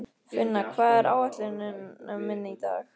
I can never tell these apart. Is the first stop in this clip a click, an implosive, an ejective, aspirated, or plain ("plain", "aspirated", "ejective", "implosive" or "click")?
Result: aspirated